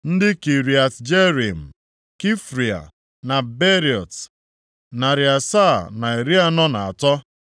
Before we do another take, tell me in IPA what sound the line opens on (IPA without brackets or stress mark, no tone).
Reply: n̩